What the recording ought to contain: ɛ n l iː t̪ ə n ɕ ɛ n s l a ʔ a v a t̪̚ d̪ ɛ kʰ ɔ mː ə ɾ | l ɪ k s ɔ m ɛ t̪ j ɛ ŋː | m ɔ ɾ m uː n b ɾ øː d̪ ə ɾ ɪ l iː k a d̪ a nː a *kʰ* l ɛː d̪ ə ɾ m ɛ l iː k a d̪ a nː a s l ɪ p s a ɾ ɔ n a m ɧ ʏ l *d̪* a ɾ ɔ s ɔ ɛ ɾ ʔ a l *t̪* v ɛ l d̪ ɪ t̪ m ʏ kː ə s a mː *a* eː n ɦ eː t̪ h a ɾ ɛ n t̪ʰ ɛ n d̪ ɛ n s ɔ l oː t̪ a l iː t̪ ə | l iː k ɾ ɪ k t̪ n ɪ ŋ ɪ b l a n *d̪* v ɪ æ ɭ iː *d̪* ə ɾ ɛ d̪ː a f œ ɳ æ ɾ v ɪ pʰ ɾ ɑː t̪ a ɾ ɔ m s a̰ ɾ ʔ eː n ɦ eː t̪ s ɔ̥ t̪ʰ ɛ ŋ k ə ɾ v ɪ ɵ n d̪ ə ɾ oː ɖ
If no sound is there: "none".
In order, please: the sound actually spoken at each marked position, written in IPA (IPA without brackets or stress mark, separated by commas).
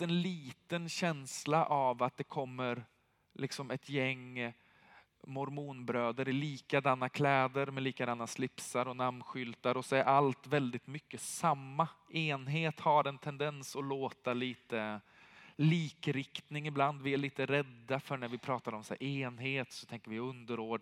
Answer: kʰ, t̪, t̪, a, d̪, t̪